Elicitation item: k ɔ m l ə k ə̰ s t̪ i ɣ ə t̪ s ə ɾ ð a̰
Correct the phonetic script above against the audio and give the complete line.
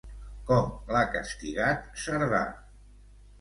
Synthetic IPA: k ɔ m l a k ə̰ s t̪ i ɣ a t̪ s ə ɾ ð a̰

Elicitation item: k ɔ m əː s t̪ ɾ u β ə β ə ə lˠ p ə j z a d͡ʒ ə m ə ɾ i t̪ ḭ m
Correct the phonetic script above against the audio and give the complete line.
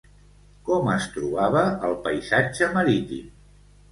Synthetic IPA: k ɔ m ə s t̪ ɾ u β a β ə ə lˠ p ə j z a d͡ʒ ə m ə ɾ i t̪ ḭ m

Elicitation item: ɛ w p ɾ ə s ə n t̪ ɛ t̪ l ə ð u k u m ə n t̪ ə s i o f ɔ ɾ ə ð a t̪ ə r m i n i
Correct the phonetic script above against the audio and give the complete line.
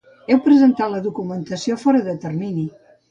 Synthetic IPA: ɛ w p ɾ ə z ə n t̪ a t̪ l ə ð u k u m ə n t̪ ə s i o f ɔ ɾ ə ð ə t̪ ə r m i n i

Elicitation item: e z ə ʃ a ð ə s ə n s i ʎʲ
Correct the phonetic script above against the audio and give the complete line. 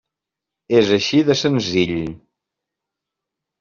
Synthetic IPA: e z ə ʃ i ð ə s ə n z i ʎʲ

